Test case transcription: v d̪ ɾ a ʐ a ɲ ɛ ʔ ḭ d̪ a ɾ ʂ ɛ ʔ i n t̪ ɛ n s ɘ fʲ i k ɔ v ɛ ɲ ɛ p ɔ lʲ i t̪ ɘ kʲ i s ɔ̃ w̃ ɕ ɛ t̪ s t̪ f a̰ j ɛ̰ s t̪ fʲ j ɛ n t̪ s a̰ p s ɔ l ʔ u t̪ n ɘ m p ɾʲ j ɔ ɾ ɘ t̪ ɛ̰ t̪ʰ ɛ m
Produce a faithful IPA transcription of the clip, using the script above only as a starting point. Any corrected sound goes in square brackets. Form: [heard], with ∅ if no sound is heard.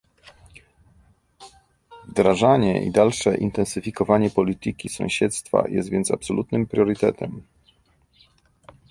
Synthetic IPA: v d̪ ɾ a ʐ a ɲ ɛ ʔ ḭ d̪ a [l] ʂ ɛ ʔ i n t̪ ɛ n s ɘ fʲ i k ɔ v [a] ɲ ɛ p ɔ lʲ i t̪ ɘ kʲ i s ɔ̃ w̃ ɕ ɛ t̪ s t̪ f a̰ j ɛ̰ s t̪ [vʲ] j ɛ n t̪ s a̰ p s ɔ l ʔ u t̪ n ɘ m p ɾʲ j ɔ ɾ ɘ t̪ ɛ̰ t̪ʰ ɛ m